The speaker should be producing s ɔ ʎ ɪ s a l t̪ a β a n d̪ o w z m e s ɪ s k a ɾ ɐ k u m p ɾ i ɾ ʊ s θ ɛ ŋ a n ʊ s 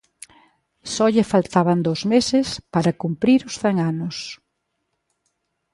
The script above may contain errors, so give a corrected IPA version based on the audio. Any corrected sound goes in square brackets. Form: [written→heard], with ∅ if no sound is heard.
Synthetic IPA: s ɔ ʎ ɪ [s→f] a l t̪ a β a n d̪ o w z m e s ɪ s [k→p] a ɾ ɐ k u m p ɾ i ɾ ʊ s θ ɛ ŋ a n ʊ s